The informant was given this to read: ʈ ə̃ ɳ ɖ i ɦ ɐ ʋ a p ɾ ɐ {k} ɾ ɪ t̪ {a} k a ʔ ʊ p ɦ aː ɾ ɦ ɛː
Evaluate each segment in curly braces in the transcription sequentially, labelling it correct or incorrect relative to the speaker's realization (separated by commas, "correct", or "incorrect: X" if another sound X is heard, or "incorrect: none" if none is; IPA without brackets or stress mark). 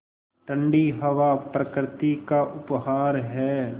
correct, incorrect: i